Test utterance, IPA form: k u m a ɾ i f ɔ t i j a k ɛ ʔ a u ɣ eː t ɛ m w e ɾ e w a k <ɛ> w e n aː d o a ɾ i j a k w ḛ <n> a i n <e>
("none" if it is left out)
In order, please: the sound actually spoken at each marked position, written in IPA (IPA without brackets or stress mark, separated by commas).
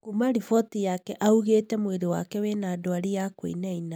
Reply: ɛ, n, a